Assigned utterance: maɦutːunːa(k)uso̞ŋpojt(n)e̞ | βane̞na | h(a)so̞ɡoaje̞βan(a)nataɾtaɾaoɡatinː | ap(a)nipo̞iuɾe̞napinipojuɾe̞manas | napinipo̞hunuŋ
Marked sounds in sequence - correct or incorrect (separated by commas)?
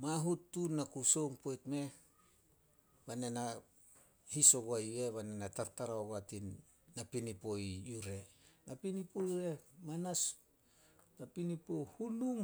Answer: correct, incorrect, incorrect, incorrect, incorrect